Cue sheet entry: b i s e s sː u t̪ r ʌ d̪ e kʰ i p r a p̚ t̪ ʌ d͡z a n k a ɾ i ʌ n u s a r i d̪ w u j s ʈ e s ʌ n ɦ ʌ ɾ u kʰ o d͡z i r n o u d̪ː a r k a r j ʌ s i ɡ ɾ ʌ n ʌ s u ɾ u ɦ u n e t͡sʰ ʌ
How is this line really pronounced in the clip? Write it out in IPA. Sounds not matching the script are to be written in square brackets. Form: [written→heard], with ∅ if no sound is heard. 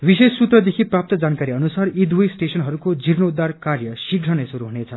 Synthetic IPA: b i s e s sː u t̪ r ʌ d̪ e kʰ i p r a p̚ t̪ ʌ d͡z a n k a ɾ i ʌ n u s a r i d̪ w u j s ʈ e s ʌ n ɦ ʌ ɾ u [kʰ→k] o d͡z i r n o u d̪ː a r k a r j ʌ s i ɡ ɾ ʌ n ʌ s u ɾ u ɦ u n e t͡sʰ ʌ